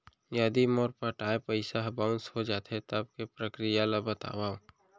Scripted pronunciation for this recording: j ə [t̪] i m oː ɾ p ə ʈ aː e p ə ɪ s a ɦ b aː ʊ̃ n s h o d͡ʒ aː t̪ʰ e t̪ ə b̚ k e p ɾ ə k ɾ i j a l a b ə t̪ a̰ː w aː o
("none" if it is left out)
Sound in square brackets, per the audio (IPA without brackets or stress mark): d̪